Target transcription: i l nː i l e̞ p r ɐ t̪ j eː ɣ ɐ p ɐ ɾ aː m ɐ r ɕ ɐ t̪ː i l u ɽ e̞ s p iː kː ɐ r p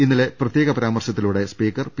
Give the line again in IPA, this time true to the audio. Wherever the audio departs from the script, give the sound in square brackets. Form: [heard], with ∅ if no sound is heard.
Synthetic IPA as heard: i [∅] nː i l e̞ p r ɐ t̪ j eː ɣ ɐ p ɐ ɾ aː m ɐ r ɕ ɐ t̪ː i l u ɽ e̞ s p iː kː ɐ r p